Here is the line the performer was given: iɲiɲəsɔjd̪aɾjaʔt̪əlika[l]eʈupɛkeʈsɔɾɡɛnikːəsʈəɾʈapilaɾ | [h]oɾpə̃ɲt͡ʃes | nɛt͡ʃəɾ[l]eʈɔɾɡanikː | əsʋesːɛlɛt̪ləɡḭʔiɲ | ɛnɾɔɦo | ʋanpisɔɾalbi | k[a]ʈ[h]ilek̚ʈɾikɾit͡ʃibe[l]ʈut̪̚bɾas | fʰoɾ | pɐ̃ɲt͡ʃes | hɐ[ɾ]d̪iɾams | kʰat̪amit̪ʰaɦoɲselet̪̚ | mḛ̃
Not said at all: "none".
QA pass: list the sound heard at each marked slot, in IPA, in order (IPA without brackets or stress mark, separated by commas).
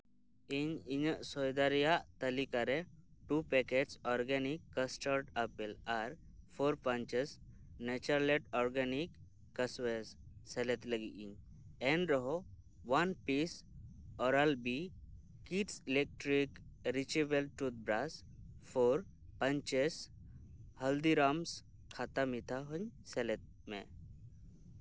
ɾ, f, l, i, s, l, l